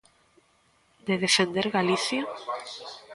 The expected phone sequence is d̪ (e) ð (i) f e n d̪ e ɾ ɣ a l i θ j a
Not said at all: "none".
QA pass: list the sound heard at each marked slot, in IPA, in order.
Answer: e, e

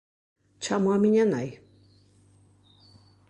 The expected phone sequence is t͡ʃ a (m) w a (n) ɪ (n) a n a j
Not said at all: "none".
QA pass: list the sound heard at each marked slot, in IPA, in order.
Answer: m, m, ɲ

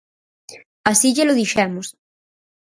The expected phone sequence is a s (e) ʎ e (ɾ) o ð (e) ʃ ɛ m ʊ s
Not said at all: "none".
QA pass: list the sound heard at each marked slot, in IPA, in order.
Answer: i, l, i

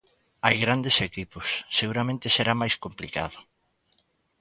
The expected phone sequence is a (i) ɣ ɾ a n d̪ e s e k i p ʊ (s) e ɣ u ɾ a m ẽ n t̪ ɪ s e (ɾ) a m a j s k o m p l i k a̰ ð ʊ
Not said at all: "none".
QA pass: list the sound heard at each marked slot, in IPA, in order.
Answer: j, sː, ɾ

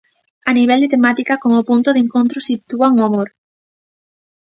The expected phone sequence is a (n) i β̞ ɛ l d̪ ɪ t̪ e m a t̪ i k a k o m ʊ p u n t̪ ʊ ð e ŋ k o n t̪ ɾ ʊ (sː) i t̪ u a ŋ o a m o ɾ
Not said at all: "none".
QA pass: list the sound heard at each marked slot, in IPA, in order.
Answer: n, s

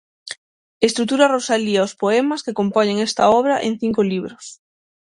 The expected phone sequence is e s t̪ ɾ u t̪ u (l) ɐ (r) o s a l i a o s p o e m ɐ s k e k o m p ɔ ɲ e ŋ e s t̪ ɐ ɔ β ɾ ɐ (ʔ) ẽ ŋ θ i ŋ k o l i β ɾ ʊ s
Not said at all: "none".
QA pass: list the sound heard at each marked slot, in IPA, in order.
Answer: ɾ, r, ʔ

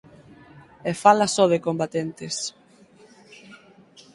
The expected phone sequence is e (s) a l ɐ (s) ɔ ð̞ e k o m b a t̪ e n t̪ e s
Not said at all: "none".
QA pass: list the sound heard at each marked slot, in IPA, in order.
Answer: f, s

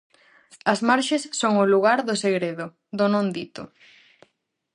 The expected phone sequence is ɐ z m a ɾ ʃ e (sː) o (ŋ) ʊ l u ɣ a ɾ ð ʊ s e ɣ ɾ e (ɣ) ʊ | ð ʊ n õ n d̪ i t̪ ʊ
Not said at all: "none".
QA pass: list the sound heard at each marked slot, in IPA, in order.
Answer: sː, ŋ, ð

